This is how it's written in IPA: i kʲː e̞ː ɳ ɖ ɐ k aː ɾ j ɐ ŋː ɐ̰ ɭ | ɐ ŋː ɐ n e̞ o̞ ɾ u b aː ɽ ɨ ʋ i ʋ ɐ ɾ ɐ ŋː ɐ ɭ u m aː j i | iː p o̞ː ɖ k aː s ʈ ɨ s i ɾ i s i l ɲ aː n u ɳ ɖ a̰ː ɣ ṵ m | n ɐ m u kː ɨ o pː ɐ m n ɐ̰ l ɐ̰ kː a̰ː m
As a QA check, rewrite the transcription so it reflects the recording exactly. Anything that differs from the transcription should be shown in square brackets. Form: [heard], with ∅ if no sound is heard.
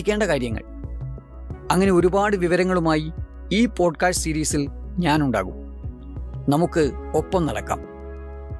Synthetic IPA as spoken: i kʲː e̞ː ɳ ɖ ɐ k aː ɾ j ɐ ŋː ɐ̰ ɭ | ɐ ŋː ɐ n e̞ o̞ ɾ u b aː ɽ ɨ ʋ i ʋ ɐ ɾ ɐ ŋː ɐ ɭ u m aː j i | iː p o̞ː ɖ k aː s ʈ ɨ s i ɾ [iː] s i l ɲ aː n u ɳ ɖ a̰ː ɣ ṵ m | n ɐ m u kː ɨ o pː ɐ m n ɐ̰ [ɽ] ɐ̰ kː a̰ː m